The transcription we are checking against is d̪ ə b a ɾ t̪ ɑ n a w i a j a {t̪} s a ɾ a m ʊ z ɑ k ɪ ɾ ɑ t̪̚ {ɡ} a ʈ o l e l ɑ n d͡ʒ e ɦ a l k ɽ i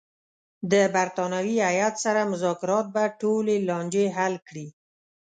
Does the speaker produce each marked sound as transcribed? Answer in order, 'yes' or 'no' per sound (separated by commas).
yes, no